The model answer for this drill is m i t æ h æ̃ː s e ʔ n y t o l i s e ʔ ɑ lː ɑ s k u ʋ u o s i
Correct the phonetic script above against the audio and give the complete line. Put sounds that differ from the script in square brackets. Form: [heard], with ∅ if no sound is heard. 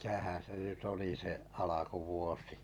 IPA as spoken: m i t æ h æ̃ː s e ʔ n y t o l i s e ʔ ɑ [l] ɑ [∅] k u ʋ u o s i